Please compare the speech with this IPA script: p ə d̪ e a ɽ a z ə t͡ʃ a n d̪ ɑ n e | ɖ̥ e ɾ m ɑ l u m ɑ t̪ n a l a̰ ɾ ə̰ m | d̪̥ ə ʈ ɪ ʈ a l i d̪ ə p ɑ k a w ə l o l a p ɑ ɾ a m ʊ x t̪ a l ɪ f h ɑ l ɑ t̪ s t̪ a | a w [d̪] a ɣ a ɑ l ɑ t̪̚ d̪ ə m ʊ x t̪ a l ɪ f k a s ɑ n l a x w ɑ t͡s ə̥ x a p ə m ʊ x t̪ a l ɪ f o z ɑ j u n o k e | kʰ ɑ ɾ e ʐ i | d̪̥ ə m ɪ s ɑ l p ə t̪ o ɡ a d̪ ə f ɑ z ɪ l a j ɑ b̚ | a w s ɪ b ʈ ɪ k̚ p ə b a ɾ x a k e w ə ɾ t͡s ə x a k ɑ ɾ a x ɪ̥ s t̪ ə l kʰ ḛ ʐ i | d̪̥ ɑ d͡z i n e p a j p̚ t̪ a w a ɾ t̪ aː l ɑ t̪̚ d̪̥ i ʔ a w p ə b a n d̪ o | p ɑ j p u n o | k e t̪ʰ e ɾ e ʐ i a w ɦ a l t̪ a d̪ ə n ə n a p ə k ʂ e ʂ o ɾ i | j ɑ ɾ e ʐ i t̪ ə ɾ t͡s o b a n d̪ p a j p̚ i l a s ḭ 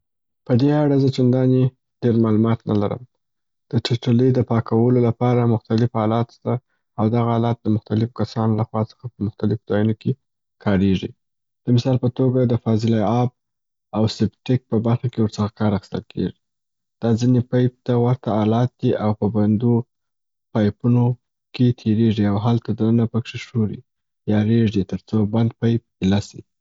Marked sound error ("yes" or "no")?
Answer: no